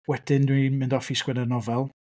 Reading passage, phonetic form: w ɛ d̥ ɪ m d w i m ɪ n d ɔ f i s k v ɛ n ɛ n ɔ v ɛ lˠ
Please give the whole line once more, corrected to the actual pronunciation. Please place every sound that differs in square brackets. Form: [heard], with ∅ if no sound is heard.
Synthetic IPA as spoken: w ɛ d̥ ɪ [n] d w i m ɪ n d ɔ f i s k [w] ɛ n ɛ n ɔ v ɛ lˠ